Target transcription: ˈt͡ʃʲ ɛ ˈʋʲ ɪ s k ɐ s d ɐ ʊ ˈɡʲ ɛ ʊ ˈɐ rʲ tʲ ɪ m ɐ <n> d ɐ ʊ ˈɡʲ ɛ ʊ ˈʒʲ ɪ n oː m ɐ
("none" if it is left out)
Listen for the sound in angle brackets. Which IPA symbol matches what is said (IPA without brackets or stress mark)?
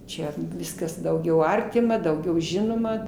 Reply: none